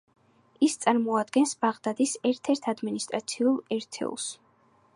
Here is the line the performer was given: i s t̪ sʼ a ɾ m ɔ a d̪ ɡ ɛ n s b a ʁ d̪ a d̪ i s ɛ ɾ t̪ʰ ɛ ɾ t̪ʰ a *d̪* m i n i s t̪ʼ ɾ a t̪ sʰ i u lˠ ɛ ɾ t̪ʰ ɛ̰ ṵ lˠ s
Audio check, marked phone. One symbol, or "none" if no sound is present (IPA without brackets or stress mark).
d̪